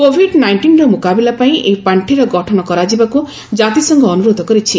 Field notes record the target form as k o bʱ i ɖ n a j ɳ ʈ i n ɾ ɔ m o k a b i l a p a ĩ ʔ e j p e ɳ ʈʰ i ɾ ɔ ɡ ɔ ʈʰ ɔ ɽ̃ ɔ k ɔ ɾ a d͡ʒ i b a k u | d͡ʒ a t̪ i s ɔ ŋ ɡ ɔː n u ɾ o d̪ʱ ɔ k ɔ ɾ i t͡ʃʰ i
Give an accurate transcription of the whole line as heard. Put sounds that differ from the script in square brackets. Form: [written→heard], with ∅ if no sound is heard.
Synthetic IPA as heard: k o bʱ i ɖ n a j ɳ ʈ i n ɾ ɔ m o k a b i l a p a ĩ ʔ e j p [e→a] ɳ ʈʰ i ɾ ɔ ɡ ɔ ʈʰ ɔ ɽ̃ ɔ k ɔ ɾ a d͡ʒ i b a k u | d͡ʒ a t̪ i s ɔ ŋ ɡ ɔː n u ɾ o d̪ʱ ɔ k ɔ ɾ i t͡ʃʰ i

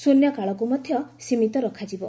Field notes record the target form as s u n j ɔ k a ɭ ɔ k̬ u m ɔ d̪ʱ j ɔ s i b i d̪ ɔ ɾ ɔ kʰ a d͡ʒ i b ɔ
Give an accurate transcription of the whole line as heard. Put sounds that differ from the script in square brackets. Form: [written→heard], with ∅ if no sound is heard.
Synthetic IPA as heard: s u n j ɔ k a ɭ ɔ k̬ u m ɔ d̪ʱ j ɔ s i [b→m] i [d̪→t̪] ɔ ɾ ɔ kʰ a d͡ʒ i b ɔ

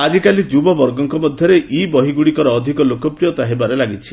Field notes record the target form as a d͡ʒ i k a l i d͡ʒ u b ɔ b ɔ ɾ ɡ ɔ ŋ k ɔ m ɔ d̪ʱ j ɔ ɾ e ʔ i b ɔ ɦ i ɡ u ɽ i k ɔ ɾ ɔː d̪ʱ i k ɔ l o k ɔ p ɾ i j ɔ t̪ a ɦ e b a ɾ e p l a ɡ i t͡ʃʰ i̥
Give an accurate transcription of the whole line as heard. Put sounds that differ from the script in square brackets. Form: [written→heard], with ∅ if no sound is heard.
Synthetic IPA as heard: a d͡ʒ i k a l i d͡ʒ u b ɔ b ɔ ɾ ɡ ɔ ŋ k ɔ m ɔ d̪ʱ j ɔ ɾ e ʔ i b ɔ ɦ i ɡ u ɽ i k ɔ ɾ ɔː d̪ʱ i k ɔ l o k ɔ p ɾ i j ɔ t̪ a ɦ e b a ɾ e [p→∅] l a ɡ i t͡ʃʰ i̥

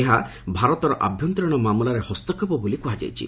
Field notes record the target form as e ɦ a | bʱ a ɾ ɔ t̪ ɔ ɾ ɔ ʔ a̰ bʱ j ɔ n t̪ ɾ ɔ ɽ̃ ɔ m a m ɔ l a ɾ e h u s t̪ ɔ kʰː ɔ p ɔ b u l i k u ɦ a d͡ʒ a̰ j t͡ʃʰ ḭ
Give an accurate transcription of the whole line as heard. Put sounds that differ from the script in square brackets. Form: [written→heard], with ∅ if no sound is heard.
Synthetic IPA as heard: e ɦ a | bʱ a ɾ ɔ t̪ ɔ ɾ ɔ ʔ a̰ bʱ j ɔ n t̪ ɾ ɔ ɽ̃ ɔ m a m [ɔ→u] l a ɾ e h [u→ɔ] s t̪ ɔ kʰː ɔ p ɔ b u l i k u ɦ a d͡ʒ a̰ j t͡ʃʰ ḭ

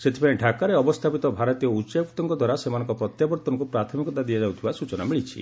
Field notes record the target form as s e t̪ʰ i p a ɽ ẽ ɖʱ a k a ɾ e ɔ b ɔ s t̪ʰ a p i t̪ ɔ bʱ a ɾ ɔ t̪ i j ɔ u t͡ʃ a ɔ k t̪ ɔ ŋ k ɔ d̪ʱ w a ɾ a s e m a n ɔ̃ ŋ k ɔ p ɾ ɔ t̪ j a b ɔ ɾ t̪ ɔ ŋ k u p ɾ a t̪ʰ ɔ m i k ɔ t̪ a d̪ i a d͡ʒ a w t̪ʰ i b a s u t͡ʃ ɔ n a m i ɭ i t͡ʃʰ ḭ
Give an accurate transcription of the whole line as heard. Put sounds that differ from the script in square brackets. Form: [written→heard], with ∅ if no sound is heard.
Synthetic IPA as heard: s e t̪ʰ i p a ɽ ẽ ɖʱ a k a ɾ e ɔ b ɔ s t̪ʰ a p i t̪ ɔ bʱ a ɾ ɔ t̪ i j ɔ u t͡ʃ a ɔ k t̪ ɔ ŋ k ɔ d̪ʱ w a ɾ a s e m a n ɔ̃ ŋ k ɔ p ɾ ɔ t̪ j a b ɔ ɾ t̪ ɔ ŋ k u p ɾ a t̪ʰ ɔ m i k ɔ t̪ a d̪ i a d͡ʒ a w t̪ʰ i b a s u t͡ʃ ɔ n a m i ɭ i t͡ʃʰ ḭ

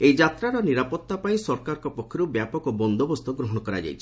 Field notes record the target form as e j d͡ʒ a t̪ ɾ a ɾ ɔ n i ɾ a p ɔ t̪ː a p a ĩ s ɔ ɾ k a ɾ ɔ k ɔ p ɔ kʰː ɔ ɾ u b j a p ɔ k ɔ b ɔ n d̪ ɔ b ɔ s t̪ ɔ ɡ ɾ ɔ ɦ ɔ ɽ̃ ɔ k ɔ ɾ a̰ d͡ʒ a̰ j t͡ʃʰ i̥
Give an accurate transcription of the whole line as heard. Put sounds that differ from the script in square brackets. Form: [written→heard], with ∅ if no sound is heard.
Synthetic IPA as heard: e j d͡ʒ a t̪ ɾ a ɾ ɔ n i ɾ a p ɔ t̪ː a p a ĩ s ɔ ɾ k a ɾ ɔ k ɔ p ɔ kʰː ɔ ɾ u b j a p ɔ k ɔ b ɔ n d̪ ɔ b ɔ s t̪ ɔ ɡ ɾ ɔ ɦ ɔ ɽ̃ ɔ k ɔ ɾ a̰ d͡ʒ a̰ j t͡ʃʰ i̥

